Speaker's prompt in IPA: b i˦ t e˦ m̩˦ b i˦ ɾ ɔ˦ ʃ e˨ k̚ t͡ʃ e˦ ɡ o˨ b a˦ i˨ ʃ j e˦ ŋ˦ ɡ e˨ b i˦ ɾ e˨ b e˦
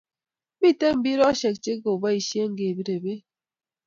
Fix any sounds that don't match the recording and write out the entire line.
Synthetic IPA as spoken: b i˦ t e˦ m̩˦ b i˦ ɾ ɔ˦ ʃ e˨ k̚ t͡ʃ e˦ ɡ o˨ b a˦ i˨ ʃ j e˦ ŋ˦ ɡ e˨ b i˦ ɾ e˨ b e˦